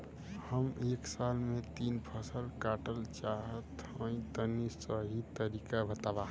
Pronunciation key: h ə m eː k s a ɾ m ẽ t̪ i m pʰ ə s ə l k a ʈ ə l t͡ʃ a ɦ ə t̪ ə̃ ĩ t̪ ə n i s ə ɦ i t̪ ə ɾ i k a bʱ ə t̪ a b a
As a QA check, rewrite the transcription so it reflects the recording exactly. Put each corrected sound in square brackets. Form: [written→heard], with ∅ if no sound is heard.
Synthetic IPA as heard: h ə m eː k s a [ɾ→l] m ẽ t̪ i [m→n] pʰ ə s ə l k a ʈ ə l t͡ʃ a ɦ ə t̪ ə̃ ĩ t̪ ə n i s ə ɦ i t̪ ə ɾ i k a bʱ ə t̪ a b a